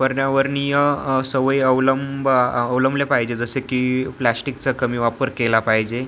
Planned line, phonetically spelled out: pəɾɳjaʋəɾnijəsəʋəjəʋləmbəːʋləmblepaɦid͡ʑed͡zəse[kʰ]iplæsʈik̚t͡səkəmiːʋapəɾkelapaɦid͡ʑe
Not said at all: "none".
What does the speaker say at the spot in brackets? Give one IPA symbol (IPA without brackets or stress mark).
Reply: k